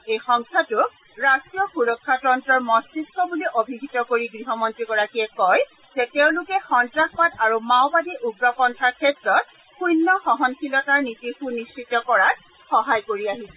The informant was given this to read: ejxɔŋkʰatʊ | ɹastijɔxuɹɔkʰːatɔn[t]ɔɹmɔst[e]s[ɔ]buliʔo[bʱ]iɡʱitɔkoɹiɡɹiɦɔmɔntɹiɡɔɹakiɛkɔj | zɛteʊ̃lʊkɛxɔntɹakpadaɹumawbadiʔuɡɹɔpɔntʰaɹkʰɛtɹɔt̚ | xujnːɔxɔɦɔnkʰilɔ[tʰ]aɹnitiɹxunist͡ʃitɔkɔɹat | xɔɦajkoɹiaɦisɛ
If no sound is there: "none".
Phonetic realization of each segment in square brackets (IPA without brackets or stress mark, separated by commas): t, i, ɔ, bʱ, t